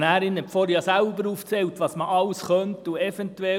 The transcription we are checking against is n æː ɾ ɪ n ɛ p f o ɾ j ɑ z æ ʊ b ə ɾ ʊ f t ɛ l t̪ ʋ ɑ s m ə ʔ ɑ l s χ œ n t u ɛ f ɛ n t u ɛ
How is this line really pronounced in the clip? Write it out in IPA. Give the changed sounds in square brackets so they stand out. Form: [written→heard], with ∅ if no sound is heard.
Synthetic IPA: n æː ɾ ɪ n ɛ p f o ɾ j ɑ [z→s] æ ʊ b ə ɾ [ʊ→u] f [t→t͡s] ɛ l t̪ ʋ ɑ s m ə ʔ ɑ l s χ œ n t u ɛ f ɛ n t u ɛ